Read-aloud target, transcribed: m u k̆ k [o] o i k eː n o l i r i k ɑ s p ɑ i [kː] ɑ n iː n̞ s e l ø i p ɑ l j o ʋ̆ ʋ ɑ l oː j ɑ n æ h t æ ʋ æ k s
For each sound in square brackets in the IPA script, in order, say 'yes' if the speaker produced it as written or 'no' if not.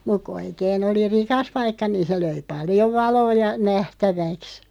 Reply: no, yes

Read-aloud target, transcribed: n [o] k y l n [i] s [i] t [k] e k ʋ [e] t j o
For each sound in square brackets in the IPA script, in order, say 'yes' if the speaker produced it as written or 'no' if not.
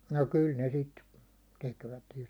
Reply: yes, no, yes, no, no

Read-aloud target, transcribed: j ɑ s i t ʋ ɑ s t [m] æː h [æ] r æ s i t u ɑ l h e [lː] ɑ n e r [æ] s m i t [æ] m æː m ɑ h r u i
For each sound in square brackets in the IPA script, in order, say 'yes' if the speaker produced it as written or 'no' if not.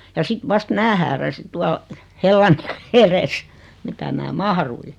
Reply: yes, no, yes, no, yes

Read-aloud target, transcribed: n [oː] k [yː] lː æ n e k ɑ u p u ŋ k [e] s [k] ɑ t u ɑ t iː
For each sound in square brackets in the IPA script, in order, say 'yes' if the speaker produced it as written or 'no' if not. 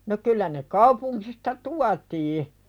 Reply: no, no, no, no

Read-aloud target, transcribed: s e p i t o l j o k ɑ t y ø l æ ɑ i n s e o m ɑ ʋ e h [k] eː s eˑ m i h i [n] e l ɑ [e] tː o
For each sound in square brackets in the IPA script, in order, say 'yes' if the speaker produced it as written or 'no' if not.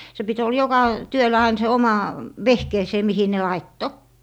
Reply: yes, yes, no

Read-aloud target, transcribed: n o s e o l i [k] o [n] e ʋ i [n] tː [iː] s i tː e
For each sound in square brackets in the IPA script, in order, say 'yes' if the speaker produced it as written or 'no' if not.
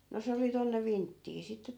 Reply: no, no, yes, yes

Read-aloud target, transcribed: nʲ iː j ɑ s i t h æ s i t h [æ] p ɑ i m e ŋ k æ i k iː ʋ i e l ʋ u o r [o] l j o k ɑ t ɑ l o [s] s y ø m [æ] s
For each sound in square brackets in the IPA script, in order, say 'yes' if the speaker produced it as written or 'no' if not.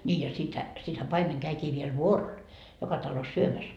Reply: yes, yes, yes, yes

